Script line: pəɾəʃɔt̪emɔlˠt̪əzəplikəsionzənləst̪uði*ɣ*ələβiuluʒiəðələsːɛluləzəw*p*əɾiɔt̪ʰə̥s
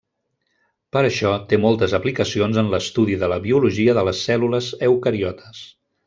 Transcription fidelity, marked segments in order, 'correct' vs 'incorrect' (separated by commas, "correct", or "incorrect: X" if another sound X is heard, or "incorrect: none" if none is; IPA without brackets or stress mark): incorrect: ð, incorrect: k